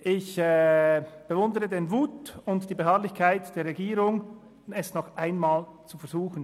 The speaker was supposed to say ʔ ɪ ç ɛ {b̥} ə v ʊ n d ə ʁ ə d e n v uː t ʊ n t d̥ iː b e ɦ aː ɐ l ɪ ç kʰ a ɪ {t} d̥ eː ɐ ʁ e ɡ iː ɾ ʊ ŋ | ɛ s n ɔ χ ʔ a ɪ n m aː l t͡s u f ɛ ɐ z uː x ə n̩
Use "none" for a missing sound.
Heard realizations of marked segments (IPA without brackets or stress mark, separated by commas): b̥, t